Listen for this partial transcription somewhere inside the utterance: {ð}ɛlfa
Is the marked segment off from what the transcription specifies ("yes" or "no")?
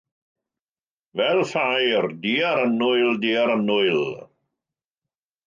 yes